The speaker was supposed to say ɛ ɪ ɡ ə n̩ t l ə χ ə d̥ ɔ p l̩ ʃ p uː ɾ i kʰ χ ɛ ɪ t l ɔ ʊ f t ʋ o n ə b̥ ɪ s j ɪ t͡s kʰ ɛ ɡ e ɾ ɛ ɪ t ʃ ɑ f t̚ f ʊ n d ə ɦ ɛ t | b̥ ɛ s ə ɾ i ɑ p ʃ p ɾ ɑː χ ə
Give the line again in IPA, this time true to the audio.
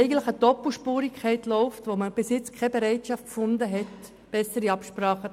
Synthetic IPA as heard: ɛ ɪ ɡ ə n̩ t l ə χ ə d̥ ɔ p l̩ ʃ p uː ɾ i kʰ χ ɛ ɪ t l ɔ ʊ f t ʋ o m ə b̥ ɪ s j ɪ t͡s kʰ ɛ b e ɾ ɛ ɪ t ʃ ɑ f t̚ f ʊ n d ə ɦ ɛ t | b̥ ɛ s ə ɾ i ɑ p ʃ p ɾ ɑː χ ə